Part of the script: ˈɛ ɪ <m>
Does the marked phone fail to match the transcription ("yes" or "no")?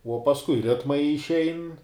yes